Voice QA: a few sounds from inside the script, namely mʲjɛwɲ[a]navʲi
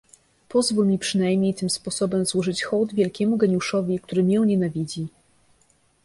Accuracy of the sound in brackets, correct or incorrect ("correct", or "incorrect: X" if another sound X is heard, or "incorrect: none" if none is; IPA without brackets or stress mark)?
incorrect: ɛ